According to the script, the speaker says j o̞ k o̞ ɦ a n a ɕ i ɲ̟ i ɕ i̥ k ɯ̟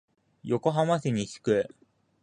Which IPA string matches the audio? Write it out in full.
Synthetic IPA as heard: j o̞ k o̞ ɦ a m a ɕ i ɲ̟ i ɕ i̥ k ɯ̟